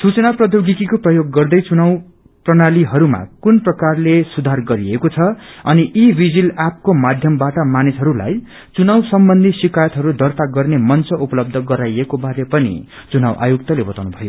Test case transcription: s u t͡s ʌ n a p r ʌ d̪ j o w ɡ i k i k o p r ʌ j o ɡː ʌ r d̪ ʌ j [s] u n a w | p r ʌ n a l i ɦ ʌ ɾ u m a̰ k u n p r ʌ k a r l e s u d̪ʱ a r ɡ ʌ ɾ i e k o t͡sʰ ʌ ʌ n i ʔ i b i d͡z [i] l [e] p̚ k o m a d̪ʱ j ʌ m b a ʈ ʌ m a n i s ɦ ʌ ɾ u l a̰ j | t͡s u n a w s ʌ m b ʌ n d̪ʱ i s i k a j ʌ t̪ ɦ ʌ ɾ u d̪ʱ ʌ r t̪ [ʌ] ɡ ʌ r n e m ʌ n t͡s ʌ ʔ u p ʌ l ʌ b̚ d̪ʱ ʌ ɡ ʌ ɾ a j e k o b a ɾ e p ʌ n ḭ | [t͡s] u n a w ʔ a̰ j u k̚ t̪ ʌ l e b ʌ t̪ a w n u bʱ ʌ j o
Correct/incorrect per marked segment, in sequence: incorrect: t͡s, correct, incorrect: a, incorrect: a, correct

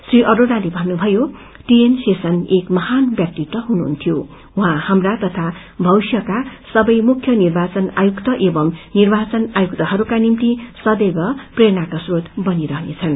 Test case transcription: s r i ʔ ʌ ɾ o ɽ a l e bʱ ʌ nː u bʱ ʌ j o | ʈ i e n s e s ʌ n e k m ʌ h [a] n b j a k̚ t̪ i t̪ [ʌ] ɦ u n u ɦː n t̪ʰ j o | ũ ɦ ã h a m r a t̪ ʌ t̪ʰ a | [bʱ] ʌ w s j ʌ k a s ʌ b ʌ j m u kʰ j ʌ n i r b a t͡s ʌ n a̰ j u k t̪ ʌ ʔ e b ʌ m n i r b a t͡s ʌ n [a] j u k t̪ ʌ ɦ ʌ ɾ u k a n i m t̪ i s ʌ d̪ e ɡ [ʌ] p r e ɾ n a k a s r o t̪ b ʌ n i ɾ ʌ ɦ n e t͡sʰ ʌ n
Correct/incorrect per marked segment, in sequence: correct, correct, correct, correct, correct

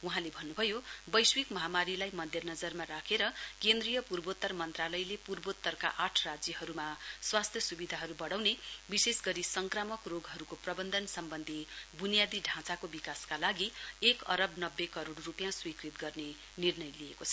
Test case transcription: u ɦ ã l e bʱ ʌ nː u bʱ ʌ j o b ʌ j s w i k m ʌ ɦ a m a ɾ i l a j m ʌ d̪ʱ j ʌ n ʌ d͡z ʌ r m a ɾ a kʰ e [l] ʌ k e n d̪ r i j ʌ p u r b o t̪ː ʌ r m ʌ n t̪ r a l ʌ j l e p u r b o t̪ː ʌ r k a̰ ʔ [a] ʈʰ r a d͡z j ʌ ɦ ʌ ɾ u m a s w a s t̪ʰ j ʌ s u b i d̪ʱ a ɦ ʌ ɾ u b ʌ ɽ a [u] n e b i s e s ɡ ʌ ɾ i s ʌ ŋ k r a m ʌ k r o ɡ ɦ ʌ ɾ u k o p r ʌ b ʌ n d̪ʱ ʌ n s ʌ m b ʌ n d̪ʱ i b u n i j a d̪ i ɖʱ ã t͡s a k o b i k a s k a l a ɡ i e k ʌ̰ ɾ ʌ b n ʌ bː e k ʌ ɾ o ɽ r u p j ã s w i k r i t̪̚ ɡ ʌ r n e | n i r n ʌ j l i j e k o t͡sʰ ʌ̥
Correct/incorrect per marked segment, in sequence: incorrect: ɾ, correct, incorrect: w

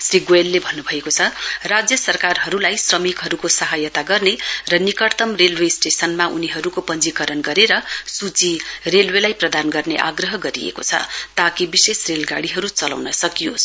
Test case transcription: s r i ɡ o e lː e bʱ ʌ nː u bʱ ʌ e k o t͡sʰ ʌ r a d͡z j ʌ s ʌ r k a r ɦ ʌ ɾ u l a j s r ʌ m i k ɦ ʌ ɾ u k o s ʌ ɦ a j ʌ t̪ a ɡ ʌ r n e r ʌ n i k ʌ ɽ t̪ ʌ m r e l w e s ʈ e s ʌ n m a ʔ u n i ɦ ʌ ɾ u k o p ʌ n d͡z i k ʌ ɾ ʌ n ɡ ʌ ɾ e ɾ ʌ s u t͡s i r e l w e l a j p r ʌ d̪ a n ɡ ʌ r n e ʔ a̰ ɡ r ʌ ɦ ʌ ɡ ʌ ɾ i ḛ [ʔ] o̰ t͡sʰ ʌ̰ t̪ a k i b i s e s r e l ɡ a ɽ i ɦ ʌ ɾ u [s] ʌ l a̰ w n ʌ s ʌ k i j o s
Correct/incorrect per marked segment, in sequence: incorrect: k, incorrect: t͡s

